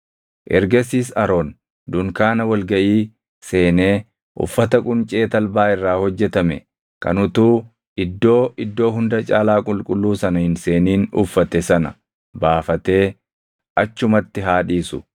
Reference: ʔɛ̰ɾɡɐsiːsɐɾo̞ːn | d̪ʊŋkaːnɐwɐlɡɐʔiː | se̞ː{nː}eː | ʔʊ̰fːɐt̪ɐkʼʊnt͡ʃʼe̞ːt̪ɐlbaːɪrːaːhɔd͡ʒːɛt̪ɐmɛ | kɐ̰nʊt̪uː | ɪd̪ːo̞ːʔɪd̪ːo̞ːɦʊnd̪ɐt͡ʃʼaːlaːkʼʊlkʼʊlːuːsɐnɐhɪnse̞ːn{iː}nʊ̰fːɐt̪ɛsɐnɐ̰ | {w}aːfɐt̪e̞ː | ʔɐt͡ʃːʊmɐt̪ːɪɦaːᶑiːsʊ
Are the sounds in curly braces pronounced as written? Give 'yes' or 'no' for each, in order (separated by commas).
no, yes, no